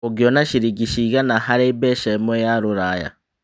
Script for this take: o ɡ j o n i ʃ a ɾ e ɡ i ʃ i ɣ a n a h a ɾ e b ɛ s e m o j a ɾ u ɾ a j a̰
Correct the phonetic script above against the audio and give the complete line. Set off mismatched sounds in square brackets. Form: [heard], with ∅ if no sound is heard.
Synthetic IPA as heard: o ɡ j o n [a] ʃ [i] ɾ [i] ɡ i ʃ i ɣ a n a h a ɾ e b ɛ [ʃ] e m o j a ɾ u ɾ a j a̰